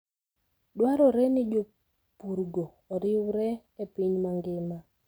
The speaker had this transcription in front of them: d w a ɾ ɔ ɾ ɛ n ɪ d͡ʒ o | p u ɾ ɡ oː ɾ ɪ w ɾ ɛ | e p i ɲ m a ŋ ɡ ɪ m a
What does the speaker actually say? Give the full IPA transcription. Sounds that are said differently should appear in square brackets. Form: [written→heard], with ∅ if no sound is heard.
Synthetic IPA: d w a ɾ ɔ ɾ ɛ n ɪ d͡ʒ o | p u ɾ ɡ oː ɾ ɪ w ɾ ɛ | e p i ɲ m a ŋ ɡ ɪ m a